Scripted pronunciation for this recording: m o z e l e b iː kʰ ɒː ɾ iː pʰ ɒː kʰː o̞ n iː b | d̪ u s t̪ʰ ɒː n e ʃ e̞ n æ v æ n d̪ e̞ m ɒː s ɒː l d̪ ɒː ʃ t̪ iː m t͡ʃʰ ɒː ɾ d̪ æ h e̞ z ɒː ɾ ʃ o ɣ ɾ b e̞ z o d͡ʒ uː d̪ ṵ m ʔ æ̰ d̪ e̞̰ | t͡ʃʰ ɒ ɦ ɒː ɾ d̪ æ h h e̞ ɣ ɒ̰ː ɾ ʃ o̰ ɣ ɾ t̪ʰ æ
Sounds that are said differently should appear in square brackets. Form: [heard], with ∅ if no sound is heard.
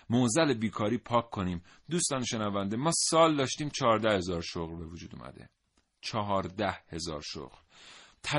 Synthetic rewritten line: m o z [æ] l e b iː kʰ ɒː ɾ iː pʰ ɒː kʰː o̞ n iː [m] | d̪ u s [t̪] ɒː n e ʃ e̞ n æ v æ n d̪ e̞ m ɒː s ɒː l d̪ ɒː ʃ t̪ iː m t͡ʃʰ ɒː ɾ d̪ æ h e̞ z ɒː ɾ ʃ o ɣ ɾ b e̞ [v] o d͡ʒ uː d̪ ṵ m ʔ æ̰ d̪ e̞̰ | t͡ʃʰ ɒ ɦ ɒː ɾ d̪ æ h h e̞ [z] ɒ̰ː ɾ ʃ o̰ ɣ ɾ t̪ʰ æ